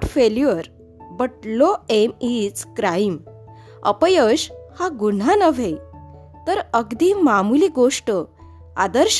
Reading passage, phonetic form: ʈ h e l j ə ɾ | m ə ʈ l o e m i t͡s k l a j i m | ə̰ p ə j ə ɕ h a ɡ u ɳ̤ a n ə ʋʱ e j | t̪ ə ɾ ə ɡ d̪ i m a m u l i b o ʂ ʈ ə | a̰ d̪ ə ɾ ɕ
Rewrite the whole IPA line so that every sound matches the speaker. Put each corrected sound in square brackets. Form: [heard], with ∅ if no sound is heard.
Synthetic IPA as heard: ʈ [f] e l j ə ɾ | [b] ə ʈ l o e m i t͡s k [ɾ] a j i m | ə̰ p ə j ə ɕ h a ɡ u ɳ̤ a n ə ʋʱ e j | t̪ ə ɾ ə ɡ d̪ i m a m u l i [ɡ] o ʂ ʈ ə | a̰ d̪ ə ɾ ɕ